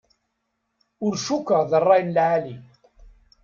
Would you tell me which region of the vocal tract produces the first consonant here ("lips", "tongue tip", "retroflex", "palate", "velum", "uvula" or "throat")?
tongue tip